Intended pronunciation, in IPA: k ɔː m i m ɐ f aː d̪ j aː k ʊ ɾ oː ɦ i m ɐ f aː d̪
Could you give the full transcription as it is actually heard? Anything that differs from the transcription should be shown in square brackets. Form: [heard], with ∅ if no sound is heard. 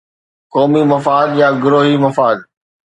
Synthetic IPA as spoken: k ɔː m i m ɐ f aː d̪ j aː [ɡ] ʊ ɾ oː ɦ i m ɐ f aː d̪